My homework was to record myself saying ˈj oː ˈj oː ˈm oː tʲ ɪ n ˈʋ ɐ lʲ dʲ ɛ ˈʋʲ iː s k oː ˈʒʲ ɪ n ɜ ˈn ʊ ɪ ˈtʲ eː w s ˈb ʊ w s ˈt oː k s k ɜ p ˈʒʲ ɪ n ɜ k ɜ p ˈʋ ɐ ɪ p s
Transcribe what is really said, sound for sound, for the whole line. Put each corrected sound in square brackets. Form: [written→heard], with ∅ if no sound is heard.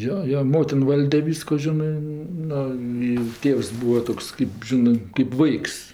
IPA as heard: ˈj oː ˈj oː ˈm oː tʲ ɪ n ˈʋ ɐ lʲ dʲ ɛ ˈʋʲ iː s k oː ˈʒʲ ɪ n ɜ ˈn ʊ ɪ ˈtʲ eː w s ˈb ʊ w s ˈt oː k s k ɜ p ˈʒʲ ɪ n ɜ k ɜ p ˈʋ ɐ ɪ [p→k] s